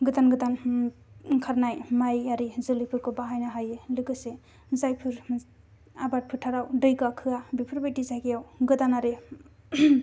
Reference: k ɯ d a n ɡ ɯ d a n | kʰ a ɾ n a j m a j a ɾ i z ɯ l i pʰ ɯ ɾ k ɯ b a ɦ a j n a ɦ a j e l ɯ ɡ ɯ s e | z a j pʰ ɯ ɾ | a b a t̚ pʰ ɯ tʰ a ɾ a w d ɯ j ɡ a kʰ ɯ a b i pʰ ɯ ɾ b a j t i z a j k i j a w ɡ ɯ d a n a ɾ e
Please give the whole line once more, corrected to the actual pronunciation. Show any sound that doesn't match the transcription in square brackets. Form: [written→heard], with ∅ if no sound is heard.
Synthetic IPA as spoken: [k→ɡ] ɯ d a n ɡ ɯ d a n | kʰ a ɾ n a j m a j a ɾ i z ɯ l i pʰ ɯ ɾ k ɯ b a ɦ a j n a ɦ a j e l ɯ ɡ ɯ s e | z a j pʰ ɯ ɾ | a b a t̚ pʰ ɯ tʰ a ɾ a w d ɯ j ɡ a kʰ ɯ a b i pʰ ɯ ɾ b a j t i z a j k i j a w ɡ ɯ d a n a ɾ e